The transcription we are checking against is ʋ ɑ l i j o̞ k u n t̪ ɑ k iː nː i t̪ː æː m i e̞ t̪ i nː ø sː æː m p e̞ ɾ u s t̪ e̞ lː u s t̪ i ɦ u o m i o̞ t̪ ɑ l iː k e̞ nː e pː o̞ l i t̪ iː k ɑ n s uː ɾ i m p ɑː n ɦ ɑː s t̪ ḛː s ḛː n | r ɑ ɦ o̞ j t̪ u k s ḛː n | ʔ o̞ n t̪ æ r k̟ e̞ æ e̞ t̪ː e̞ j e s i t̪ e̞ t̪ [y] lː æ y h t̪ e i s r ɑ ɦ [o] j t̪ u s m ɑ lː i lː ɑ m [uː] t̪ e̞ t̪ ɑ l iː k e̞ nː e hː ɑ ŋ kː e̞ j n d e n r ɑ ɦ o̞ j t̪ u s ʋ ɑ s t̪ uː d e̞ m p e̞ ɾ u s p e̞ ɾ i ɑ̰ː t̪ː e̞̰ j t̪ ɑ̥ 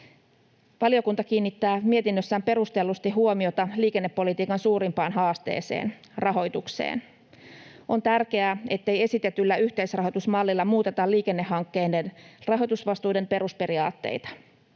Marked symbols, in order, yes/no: yes, yes, yes

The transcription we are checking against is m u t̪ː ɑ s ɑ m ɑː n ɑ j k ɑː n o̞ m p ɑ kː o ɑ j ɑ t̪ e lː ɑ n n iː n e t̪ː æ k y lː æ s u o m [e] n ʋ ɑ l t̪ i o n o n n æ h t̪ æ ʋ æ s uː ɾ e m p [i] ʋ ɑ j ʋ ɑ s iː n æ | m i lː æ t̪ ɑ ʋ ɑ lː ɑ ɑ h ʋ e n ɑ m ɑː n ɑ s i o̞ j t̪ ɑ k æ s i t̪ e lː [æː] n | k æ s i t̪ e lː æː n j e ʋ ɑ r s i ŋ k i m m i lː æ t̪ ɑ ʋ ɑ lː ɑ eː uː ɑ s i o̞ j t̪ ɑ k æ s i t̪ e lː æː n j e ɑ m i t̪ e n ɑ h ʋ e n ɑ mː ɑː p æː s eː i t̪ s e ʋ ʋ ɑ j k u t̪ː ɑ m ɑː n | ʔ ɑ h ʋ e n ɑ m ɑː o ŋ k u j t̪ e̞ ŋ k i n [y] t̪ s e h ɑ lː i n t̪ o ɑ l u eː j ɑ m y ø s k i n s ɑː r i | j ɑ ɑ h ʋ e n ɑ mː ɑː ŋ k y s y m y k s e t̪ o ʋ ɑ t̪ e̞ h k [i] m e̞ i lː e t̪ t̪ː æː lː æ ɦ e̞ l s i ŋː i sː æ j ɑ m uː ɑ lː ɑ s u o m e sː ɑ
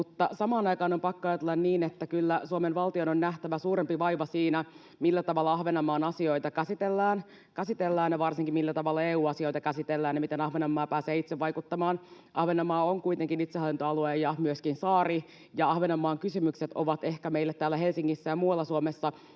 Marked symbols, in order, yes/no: yes, yes, yes, no, no

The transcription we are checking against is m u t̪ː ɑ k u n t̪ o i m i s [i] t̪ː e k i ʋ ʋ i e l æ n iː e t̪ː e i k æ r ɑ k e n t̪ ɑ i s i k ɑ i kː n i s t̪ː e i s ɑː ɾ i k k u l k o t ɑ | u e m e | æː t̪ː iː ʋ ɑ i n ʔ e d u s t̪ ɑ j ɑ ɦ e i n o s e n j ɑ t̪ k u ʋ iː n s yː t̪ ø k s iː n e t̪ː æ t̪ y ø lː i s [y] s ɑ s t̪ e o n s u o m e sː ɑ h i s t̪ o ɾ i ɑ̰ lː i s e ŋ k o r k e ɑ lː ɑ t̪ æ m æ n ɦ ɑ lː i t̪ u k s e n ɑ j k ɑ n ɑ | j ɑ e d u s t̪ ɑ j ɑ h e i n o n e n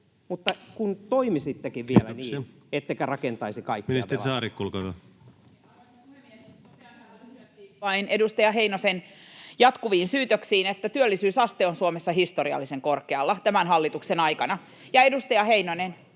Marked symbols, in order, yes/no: yes, no

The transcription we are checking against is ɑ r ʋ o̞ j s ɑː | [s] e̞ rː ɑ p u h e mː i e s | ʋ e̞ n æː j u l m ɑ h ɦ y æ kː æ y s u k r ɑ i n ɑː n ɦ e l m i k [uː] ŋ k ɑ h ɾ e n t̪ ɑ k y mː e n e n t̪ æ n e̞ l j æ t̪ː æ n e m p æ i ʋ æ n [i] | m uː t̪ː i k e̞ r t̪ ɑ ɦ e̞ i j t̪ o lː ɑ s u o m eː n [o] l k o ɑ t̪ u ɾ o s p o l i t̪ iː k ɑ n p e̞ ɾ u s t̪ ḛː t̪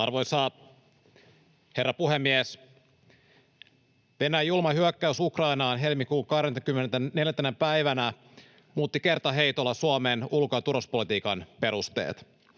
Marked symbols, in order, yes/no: no, yes, no, no

